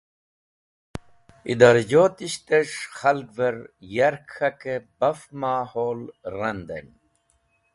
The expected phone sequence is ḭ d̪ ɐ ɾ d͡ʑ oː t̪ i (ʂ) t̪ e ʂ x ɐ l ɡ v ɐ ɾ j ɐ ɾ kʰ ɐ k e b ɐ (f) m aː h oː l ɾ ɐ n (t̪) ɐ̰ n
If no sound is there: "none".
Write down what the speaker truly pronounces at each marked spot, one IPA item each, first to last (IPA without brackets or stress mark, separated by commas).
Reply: ɕ, f, d̪